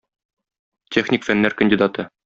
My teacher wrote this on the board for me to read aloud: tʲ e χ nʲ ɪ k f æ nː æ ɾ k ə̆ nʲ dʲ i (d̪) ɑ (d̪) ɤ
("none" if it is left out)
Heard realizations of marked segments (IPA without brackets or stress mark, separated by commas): d̪, t̪